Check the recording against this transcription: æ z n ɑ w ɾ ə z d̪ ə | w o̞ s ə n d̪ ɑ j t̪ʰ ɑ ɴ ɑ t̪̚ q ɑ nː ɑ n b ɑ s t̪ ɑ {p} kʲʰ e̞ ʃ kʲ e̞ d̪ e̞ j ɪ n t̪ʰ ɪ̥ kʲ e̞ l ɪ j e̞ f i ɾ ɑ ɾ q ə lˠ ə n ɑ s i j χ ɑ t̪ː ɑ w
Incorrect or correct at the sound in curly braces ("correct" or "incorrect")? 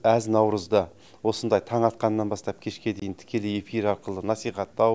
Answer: correct